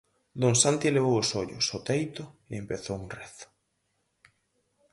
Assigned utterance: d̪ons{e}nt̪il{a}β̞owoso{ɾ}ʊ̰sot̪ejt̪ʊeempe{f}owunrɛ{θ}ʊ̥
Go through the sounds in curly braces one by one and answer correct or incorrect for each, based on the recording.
incorrect: a, incorrect: e, incorrect: ʎ, incorrect: θ, correct

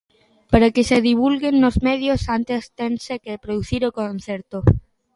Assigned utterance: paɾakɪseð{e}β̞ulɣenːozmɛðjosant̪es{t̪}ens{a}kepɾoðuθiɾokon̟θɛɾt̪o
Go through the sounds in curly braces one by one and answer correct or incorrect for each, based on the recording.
incorrect: i, correct, incorrect: e

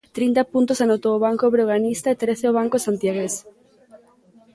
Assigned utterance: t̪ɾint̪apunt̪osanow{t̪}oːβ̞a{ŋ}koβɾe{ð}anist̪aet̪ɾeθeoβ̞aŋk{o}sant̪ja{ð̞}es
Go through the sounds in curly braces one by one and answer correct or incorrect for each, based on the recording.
correct, correct, incorrect: ɣ, correct, incorrect: ɣ̞

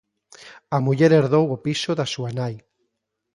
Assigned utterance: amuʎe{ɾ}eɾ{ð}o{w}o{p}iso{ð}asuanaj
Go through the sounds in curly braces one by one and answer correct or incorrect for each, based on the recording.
correct, correct, correct, correct, correct

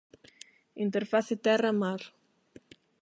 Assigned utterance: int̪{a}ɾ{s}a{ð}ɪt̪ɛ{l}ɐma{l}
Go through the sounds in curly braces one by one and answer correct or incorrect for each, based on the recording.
incorrect: e, incorrect: f, incorrect: θ, incorrect: r, incorrect: ɾ

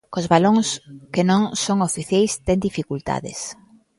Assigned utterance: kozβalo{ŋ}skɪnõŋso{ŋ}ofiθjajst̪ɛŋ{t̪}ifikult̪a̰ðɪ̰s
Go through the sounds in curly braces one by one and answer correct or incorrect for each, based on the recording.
correct, correct, incorrect: d̪

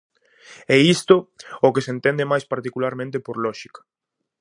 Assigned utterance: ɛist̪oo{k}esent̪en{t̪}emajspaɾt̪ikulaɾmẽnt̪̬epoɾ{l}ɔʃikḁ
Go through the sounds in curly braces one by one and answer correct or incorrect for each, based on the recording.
correct, incorrect: d̪, correct

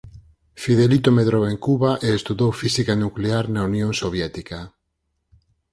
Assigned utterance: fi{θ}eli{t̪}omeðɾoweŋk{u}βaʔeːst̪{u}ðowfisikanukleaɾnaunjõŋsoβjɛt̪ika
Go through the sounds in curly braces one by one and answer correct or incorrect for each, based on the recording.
incorrect: ð, correct, correct, correct

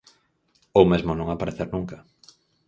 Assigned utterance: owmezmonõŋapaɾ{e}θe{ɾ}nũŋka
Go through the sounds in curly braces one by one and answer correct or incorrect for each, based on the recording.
correct, correct

